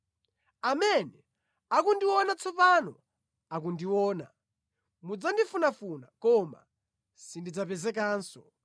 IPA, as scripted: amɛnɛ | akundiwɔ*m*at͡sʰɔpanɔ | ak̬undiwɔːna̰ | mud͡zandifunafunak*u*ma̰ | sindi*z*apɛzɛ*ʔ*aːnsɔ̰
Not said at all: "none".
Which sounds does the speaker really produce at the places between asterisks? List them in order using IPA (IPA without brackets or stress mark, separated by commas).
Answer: n, ɔ, d͡z, k